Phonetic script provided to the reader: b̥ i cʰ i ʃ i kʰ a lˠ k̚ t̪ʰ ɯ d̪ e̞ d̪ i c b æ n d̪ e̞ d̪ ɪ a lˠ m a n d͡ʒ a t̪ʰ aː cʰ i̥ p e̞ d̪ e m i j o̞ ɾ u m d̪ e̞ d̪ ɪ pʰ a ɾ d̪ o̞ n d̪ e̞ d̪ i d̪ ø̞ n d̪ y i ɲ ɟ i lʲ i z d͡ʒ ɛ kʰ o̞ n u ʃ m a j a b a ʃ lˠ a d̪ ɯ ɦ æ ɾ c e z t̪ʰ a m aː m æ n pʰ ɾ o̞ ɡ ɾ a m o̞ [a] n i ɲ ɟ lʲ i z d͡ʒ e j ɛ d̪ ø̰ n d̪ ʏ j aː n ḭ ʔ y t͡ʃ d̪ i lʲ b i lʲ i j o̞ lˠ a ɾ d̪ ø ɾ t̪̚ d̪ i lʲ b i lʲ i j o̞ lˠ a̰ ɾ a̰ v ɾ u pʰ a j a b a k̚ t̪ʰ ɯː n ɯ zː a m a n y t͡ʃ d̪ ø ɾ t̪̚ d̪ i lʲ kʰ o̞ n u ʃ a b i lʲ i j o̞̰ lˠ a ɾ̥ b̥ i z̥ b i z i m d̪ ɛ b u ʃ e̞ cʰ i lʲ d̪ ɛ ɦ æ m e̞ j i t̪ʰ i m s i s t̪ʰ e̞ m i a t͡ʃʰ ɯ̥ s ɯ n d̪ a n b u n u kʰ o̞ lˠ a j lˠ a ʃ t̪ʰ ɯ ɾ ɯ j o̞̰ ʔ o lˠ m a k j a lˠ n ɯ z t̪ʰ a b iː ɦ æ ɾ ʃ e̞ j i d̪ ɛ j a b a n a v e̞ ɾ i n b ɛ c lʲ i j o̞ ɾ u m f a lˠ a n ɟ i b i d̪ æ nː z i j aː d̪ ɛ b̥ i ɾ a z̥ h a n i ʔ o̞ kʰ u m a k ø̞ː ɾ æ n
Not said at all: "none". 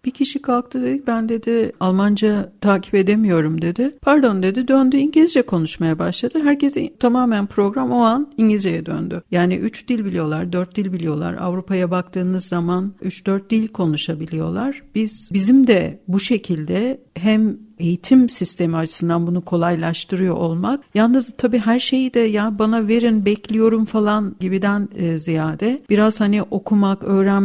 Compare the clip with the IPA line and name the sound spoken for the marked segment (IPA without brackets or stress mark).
a